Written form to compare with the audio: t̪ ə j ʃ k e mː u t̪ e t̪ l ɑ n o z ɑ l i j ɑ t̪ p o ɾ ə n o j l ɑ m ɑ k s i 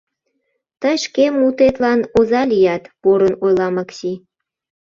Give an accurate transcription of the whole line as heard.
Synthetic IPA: t̪ ə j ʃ k e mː u t̪ e t̪ l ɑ n o z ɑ l i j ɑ t̪ p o ɾ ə n o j l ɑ m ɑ k s i